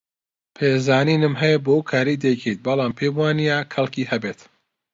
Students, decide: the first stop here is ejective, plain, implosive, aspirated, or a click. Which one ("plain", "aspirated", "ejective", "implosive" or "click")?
aspirated